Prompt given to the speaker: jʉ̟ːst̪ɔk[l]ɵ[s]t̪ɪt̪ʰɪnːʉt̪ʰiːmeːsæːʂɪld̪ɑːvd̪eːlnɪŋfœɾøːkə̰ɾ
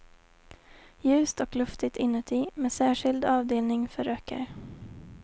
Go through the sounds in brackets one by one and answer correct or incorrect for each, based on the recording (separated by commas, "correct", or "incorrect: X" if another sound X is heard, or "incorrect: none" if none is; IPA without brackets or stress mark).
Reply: correct, incorrect: f